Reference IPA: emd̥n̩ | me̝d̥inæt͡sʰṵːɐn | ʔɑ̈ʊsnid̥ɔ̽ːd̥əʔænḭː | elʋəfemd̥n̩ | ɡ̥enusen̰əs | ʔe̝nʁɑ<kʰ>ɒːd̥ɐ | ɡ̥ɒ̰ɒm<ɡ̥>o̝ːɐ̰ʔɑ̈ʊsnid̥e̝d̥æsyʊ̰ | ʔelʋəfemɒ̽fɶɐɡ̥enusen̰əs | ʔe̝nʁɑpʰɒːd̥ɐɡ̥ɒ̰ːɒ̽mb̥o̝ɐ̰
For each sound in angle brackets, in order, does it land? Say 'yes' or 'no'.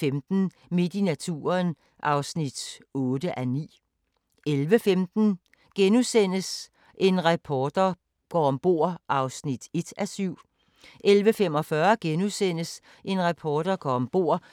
no, no

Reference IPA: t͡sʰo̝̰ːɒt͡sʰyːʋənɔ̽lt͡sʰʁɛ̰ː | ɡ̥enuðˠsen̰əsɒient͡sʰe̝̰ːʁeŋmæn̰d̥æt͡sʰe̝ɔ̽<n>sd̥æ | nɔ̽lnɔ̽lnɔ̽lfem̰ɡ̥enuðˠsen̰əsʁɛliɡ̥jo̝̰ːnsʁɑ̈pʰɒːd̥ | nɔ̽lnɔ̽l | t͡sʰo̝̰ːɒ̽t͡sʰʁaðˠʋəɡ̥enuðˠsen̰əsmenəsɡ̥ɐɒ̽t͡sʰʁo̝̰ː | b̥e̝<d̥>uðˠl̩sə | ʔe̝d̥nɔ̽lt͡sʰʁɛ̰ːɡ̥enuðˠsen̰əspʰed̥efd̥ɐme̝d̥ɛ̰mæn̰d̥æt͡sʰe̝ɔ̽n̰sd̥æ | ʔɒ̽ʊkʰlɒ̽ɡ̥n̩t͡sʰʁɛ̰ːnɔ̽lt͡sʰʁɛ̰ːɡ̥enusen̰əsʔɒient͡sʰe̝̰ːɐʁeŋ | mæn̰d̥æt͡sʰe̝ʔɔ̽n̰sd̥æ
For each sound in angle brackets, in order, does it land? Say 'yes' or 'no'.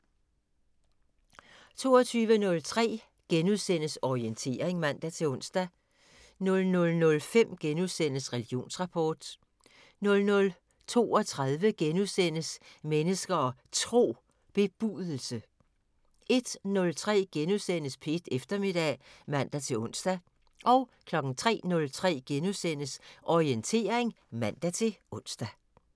yes, no

